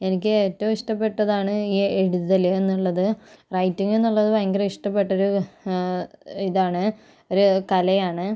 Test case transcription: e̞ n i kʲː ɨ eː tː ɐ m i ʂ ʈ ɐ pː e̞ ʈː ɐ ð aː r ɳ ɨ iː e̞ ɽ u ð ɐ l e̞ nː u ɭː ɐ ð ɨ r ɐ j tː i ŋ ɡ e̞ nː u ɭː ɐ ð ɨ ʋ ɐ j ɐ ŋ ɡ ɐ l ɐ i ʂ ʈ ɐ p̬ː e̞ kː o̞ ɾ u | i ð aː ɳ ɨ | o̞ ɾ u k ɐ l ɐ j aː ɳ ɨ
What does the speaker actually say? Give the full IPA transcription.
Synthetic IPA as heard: e̞ n i kʲː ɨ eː tː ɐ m i ʂ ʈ ɐ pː e̞ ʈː ɐ ð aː ɳ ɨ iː e̞ ɽ u ð ɐ l e̞ nː u ɭː ɐ ð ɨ r ɐ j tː i ŋ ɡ e̞ nː u ɭː ɐ ð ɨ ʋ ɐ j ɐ ŋ ɡ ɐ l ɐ i ʂ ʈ ɐ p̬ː e̞ ʈː o̞ ɾ u | i ð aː ɳ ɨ | o̞ ɾ u k ɐ l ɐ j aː ɳ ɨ